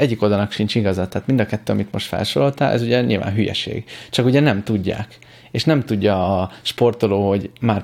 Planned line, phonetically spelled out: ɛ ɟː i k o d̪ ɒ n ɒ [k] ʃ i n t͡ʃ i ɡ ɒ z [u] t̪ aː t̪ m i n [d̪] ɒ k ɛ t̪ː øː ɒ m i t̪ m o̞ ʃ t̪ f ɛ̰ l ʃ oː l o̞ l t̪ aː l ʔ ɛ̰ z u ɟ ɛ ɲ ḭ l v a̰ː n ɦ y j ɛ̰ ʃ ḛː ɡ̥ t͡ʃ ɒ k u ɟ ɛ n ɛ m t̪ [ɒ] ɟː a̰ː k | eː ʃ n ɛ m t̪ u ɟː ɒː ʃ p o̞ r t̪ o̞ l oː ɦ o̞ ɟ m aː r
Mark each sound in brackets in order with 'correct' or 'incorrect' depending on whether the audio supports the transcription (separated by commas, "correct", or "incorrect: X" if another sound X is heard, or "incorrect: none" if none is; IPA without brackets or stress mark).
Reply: correct, incorrect: ɒ, correct, incorrect: u